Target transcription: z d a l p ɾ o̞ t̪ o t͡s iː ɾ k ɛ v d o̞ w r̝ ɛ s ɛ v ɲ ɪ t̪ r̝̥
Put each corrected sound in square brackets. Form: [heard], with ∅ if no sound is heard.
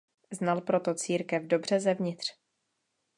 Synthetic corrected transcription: z [n] a l p ɾ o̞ t̪ o t͡s iː ɾ k ɛ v d o̞ [b] r̝ ɛ [z] ɛ v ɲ ɪ t̪ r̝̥